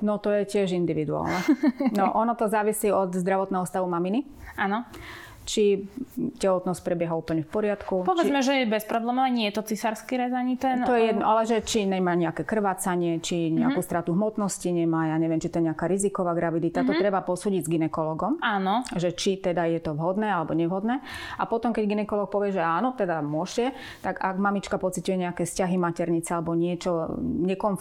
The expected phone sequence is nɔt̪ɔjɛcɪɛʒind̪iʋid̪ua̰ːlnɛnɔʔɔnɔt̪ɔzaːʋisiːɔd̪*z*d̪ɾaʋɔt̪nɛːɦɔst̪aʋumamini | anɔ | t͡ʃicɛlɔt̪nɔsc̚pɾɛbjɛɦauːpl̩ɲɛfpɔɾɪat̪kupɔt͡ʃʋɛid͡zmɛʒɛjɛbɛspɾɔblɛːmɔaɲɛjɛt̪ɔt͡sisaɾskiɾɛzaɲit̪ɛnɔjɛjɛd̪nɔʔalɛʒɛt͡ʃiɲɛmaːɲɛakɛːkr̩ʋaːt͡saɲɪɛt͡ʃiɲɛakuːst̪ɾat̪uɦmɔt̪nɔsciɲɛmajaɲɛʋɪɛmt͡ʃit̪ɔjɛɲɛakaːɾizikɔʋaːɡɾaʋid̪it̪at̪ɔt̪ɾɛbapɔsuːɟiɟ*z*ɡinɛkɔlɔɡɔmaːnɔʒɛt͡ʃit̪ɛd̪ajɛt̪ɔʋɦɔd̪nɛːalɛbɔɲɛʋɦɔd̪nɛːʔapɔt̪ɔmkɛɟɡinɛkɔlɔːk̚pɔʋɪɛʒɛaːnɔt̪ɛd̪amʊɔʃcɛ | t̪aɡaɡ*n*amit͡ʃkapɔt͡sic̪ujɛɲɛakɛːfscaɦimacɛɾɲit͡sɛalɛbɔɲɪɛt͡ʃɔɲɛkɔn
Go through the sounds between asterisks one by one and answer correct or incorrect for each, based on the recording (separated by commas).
correct, correct, incorrect